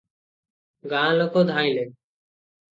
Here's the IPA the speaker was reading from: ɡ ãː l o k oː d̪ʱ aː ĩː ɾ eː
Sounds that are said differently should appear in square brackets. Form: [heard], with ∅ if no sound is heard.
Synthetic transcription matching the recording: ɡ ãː l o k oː d̪ʱ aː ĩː [l] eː